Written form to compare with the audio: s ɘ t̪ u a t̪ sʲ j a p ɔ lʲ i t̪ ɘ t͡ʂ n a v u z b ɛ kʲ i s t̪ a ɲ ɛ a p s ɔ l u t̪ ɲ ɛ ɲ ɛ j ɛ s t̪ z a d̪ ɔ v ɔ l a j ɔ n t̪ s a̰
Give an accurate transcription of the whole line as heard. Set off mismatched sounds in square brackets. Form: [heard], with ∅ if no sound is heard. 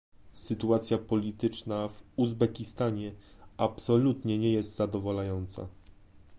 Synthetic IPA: s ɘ t̪ u a t̪ sʲ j a p ɔ lʲ i t̪ ɘ t͡ʂ n a v u z b ɛ kʲ i s t̪ a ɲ ɛ a p s ɔ l u t̪ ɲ ɛ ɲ ɛ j ɛ s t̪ z a d̪ ɔ v ɔ l a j ɔ n t̪ s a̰